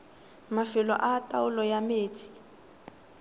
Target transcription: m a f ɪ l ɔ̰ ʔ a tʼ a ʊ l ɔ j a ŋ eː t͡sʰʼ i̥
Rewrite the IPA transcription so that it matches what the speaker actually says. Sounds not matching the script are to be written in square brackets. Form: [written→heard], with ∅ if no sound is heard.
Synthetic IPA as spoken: m a f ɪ l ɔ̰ ʔ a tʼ a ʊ l ɔ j a [ŋ→m] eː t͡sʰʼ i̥